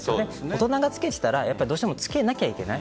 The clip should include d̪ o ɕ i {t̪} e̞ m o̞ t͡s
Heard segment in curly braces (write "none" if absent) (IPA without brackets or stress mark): t̪